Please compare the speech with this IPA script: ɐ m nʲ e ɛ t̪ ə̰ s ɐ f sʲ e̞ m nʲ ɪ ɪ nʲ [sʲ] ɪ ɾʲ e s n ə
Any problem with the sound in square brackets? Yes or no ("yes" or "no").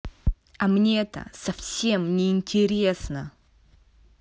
yes